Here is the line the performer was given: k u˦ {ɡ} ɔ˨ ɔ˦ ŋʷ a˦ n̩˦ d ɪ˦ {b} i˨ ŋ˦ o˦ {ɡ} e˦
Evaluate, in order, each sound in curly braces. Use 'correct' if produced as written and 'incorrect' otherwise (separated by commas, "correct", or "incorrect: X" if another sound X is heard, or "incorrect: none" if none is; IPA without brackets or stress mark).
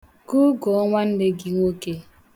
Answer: correct, incorrect: ɡ, incorrect: k